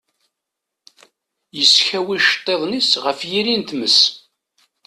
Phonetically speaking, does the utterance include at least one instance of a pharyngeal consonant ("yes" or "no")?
no